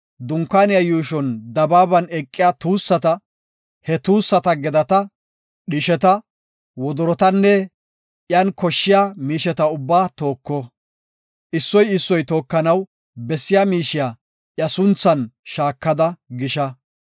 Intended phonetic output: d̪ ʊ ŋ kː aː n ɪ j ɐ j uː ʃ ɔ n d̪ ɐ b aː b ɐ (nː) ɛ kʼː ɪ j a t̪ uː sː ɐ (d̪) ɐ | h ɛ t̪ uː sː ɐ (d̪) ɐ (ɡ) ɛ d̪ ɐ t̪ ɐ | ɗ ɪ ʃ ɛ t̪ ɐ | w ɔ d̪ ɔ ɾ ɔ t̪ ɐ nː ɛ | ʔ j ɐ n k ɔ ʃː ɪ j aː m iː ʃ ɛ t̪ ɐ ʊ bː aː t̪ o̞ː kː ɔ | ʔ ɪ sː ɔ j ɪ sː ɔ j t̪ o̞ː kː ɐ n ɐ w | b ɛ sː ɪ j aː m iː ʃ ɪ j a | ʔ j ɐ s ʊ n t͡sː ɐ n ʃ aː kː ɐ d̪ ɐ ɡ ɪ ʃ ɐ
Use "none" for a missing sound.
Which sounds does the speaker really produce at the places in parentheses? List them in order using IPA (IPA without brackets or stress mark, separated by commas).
n, t̪, t̪, ɡ